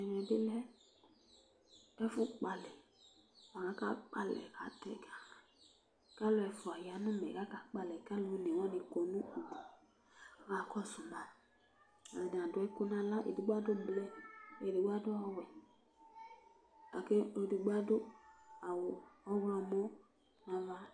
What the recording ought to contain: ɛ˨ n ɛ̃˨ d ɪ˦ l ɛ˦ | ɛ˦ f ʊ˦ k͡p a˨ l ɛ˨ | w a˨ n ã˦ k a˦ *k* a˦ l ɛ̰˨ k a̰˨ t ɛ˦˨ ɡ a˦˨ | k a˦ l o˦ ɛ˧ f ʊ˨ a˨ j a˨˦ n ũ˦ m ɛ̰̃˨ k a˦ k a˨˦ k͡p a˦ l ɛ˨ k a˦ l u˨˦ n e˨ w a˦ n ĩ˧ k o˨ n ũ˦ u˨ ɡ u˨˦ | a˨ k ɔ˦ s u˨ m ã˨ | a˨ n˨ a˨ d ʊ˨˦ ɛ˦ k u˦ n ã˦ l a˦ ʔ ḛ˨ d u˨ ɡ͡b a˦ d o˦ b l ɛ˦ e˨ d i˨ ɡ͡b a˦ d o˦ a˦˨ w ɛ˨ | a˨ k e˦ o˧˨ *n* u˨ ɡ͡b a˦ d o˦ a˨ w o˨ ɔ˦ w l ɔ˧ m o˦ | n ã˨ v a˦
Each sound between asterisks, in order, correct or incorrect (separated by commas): incorrect, incorrect